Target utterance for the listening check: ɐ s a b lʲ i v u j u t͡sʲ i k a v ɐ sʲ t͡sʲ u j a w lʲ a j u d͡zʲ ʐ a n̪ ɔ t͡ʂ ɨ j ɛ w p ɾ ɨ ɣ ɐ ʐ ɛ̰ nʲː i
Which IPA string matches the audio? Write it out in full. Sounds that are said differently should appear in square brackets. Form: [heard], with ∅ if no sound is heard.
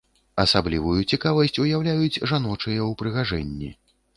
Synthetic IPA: ɐ s a b lʲ i v u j u t͡sʲ i k a v ɐ sʲ t͡sʲ u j a w lʲ a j u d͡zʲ ʐ a n̪ ɔ t͡ʂ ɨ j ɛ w p ɾ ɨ ɣ [a] ʐ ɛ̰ nʲː i